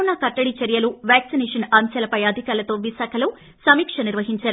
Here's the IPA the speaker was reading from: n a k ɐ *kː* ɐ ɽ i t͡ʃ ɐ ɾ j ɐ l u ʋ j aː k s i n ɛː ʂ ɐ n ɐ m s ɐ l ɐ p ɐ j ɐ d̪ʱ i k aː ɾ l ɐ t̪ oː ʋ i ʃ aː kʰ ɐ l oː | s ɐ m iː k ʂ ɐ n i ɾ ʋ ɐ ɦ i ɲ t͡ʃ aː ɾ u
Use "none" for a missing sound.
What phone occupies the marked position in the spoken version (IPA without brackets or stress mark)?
ʈː